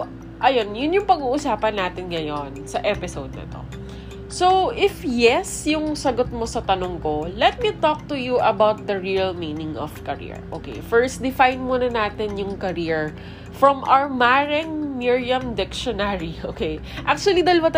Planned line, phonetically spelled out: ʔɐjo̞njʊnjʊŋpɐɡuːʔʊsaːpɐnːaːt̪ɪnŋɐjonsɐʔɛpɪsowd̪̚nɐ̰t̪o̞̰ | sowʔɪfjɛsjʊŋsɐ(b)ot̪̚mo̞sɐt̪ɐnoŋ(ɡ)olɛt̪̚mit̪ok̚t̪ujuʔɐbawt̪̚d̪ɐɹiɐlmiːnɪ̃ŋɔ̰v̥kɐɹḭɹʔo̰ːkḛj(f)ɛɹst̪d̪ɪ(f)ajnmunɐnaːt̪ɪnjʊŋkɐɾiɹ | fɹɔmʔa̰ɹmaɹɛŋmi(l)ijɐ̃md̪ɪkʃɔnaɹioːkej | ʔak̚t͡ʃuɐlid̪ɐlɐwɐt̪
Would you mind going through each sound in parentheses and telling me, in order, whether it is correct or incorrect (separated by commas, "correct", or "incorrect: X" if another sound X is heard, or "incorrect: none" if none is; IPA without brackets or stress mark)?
incorrect: ɡ, incorrect: k, correct, correct, incorrect: ɹ